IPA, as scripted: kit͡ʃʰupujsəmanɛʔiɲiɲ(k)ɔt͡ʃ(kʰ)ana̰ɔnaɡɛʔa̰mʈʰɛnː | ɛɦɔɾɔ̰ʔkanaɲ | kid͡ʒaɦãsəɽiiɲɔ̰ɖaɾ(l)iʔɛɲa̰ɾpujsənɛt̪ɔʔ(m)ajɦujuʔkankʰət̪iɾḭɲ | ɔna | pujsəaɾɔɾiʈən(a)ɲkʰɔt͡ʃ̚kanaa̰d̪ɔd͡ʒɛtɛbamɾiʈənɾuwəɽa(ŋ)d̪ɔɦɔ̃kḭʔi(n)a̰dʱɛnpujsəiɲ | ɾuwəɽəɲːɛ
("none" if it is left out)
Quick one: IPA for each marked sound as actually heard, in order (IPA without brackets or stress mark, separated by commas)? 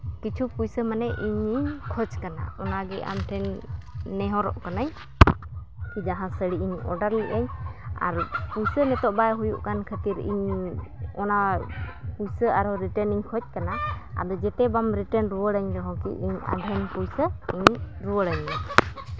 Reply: kʰ, k, l, b, i, ɲ, ɲ